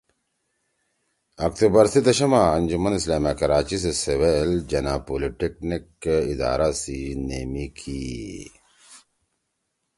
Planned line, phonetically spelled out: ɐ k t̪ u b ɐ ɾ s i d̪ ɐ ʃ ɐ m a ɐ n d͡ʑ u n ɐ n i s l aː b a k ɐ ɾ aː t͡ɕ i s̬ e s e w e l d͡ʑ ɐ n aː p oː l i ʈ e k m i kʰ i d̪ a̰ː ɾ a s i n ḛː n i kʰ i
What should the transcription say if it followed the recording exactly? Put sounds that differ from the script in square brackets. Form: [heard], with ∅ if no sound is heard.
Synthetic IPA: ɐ k t̪ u b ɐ ɾ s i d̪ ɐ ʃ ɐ m a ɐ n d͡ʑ u [m] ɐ n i s l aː [m] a k ɐ ɾ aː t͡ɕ i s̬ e s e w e l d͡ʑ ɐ n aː p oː l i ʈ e k [n] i [k] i d̪ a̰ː ɾ a s i n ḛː [m] i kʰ i